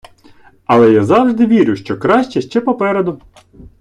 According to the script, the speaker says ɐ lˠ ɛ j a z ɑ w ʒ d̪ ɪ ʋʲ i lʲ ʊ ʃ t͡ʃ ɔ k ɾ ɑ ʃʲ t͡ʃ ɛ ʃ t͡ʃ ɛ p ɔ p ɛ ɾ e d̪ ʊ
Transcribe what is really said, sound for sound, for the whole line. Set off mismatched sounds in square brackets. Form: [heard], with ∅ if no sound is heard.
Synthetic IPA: ɐ lˠ ɛ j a z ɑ w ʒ d̪ ɪ ʋʲ i [ɾʲ] ʊ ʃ t͡ʃ ɔ k ɾ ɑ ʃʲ t͡ʃ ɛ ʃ t͡ʃ ɛ p ɔ p ɛ ɾ e d̪ ʊ